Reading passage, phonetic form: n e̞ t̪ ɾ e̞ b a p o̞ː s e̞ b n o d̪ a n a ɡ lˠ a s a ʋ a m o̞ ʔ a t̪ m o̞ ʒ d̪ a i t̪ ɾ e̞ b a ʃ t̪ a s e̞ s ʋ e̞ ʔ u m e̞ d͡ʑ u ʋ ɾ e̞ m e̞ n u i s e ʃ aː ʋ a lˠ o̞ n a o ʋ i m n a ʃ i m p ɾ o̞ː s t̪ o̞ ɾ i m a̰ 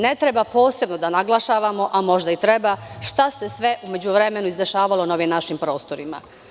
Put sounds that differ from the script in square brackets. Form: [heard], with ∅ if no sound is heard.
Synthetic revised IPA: n e̞ t̪ ɾ e̞ b a p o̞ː s e̞ b n o d̪ a n a ɡ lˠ a [ʃ] a ʋ a m o̞ ʔ a [∅] m o̞ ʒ d̪ a i t̪ ɾ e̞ b a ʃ t̪ a s e̞ s ʋ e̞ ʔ u m e̞ d͡ʑ u ʋ ɾ e̞ m e̞ n u i [z] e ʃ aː ʋ a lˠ o̞ n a o ʋ i m n a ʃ i m p ɾ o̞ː s t̪ o̞ ɾ i m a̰